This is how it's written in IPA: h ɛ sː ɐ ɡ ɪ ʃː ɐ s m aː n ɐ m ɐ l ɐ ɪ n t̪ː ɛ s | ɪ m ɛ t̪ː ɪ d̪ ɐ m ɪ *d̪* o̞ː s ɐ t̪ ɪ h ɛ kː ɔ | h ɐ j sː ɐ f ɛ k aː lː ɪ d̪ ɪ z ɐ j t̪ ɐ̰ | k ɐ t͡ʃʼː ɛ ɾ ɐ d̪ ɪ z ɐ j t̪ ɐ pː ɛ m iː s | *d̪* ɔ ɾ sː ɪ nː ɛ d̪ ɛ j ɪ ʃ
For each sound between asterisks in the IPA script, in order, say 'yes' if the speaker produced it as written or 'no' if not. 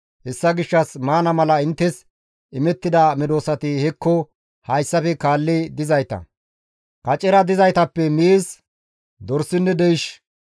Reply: yes, yes

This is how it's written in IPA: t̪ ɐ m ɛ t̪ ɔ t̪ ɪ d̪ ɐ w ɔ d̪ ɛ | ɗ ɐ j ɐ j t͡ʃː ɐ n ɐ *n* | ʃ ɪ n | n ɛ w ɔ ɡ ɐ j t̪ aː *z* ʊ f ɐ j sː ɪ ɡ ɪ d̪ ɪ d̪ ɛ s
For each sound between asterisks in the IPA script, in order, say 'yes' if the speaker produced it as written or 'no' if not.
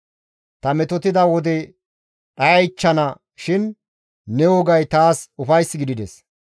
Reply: no, no

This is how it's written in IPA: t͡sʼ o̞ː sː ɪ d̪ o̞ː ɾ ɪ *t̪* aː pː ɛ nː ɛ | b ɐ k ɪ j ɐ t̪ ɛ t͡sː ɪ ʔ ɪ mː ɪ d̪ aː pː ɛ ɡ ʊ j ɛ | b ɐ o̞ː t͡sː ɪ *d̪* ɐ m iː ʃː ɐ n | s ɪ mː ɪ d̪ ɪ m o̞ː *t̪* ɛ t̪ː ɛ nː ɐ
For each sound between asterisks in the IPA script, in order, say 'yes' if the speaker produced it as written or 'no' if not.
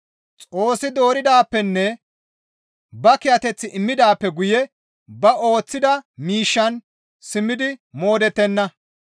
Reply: no, yes, no

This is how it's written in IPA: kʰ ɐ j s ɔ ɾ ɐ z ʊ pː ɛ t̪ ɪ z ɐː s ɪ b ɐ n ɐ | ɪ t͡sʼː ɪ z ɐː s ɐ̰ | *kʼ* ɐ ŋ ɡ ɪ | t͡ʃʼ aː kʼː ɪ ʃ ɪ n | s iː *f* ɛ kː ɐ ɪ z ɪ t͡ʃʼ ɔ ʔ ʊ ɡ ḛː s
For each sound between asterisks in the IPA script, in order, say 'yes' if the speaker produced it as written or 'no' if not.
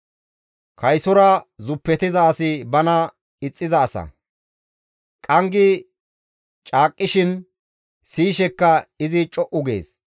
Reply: yes, no

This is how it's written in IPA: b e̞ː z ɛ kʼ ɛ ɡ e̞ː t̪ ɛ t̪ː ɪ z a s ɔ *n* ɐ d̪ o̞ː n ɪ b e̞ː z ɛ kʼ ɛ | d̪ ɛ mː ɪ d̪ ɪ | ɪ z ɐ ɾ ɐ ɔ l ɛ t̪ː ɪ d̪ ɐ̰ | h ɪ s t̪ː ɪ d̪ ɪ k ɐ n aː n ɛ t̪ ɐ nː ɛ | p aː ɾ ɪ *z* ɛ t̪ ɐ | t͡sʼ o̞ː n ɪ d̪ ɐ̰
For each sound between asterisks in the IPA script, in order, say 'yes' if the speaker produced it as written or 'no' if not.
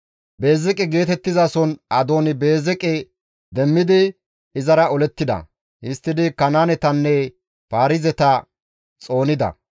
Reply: yes, yes

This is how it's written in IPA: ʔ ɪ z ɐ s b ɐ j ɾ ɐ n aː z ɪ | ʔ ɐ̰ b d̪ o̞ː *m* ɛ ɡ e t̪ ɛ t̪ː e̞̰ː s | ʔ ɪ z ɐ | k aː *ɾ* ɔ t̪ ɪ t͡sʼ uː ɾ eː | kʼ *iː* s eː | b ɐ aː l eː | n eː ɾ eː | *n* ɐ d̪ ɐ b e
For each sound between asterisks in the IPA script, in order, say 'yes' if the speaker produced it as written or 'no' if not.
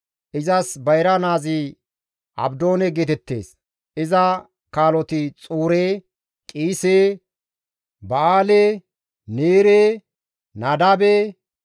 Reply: no, no, yes, yes

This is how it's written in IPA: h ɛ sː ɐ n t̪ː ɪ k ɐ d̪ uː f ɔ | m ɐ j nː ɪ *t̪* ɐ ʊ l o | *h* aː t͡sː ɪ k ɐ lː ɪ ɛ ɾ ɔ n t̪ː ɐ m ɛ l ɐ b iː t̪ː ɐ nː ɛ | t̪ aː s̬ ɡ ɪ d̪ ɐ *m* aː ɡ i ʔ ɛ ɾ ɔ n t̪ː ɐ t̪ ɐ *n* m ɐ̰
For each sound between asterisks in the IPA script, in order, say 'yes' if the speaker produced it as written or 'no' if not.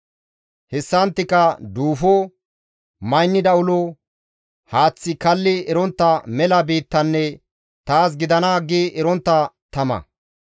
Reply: no, yes, no, no

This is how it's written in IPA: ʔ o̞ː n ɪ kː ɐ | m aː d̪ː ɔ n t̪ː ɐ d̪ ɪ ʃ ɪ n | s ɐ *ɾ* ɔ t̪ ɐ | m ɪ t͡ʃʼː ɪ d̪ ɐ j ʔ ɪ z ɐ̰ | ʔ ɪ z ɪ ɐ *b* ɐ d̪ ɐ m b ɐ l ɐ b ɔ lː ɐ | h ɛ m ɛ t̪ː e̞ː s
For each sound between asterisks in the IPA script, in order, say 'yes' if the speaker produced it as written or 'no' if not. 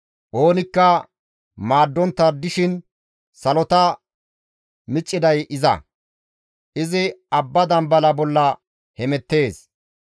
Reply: no, no

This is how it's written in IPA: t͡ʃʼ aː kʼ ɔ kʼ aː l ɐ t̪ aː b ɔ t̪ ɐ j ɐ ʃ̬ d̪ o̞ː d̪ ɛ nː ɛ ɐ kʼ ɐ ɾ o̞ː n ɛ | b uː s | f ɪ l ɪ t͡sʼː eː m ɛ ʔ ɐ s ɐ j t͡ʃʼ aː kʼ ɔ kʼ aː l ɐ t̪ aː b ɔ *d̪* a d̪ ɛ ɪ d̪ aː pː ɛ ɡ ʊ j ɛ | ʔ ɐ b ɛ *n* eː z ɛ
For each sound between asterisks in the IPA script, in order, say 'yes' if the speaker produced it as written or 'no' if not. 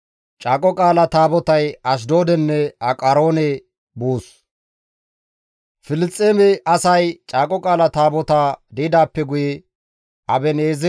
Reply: no, yes

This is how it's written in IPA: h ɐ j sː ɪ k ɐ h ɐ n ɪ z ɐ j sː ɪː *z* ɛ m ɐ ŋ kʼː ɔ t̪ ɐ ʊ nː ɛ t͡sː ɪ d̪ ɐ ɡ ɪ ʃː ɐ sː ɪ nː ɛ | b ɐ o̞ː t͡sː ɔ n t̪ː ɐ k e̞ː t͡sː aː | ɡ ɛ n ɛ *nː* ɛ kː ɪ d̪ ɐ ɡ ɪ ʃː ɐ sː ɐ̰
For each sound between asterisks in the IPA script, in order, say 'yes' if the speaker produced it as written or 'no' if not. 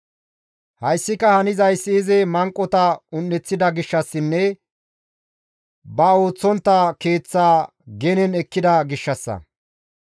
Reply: yes, no

